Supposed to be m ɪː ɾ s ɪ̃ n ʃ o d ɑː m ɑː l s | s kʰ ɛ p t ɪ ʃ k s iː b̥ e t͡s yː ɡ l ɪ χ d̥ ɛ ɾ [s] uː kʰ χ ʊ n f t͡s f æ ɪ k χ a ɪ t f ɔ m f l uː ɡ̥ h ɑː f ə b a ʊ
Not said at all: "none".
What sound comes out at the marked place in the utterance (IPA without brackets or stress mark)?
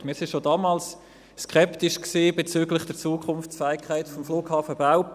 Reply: t͡s